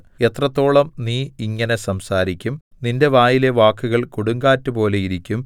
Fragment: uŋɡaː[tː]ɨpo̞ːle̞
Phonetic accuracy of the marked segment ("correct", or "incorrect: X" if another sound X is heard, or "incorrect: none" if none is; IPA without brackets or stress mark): correct